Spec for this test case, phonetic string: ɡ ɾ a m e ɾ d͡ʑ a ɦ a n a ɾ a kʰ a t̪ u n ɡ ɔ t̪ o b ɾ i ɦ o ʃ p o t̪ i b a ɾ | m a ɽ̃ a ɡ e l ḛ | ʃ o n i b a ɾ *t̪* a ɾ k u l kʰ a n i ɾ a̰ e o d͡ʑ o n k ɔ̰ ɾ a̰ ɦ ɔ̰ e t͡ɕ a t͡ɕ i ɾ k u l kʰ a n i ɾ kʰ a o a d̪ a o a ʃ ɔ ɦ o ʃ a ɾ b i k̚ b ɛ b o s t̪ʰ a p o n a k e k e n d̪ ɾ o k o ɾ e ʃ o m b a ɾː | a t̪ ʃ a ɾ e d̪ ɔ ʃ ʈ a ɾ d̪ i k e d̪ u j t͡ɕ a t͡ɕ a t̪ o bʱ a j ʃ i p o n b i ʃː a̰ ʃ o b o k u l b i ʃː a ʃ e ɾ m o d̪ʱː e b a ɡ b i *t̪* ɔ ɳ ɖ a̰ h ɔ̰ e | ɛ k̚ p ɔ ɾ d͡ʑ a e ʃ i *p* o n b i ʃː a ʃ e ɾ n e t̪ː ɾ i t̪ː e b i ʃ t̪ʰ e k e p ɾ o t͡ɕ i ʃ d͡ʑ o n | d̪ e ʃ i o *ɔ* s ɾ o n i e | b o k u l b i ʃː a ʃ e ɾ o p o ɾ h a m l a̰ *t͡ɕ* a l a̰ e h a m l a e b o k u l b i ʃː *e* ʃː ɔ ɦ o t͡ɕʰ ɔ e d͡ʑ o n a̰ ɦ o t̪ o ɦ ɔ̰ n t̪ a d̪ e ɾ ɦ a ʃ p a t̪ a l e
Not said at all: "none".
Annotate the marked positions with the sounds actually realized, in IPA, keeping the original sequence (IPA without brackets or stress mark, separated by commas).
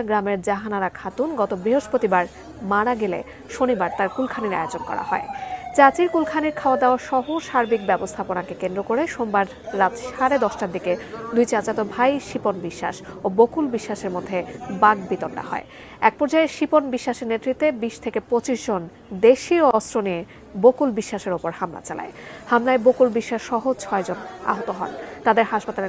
t̪, t̪, p, ɔ, t͡ɕ, a